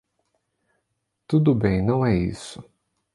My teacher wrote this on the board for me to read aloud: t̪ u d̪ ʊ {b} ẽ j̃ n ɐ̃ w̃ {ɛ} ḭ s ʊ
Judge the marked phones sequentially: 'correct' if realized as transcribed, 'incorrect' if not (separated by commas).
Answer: correct, correct